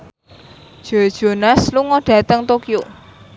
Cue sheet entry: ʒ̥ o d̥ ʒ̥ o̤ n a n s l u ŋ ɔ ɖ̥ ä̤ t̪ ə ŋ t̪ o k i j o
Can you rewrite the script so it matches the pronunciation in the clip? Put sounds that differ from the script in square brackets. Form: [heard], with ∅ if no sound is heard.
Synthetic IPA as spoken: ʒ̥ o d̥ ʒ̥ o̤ n a [∅] s l u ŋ ɔ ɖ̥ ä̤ t̪ ə ŋ t̪ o k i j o